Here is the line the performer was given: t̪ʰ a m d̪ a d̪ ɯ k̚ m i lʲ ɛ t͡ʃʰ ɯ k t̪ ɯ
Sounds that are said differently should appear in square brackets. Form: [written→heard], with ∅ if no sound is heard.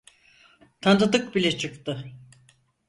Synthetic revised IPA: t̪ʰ a [m→n] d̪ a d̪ ɯ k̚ [m→b] i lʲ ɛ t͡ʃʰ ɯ k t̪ ɯ